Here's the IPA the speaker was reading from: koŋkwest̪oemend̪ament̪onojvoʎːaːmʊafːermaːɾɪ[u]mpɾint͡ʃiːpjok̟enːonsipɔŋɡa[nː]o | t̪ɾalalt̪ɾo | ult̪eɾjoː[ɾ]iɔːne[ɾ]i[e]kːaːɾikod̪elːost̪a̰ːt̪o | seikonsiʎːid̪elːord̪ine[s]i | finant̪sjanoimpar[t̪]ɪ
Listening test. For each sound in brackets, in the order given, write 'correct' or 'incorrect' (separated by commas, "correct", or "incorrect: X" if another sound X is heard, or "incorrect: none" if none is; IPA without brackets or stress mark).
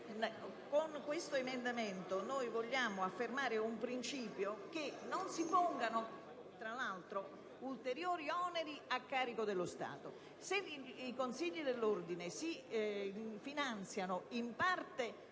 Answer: correct, incorrect: n, correct, correct, incorrect: a, correct, correct